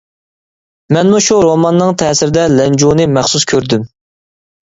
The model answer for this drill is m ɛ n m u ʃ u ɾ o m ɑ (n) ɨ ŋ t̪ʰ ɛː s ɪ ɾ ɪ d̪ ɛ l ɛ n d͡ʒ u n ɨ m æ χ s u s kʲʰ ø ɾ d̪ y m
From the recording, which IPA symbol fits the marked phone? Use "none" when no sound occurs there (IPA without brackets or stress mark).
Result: nː